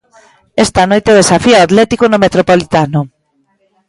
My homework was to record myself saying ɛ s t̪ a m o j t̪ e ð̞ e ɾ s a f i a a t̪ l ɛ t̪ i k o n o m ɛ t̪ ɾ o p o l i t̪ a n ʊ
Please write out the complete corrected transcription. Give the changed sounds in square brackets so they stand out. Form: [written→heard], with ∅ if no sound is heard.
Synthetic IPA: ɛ s t̪ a [m→n] o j t̪ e ð̞ e [ɾ→∅] s a f i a a t̪ l ɛ t̪ i k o n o m [ɛ→e] t̪ ɾ o p o l i t̪ a n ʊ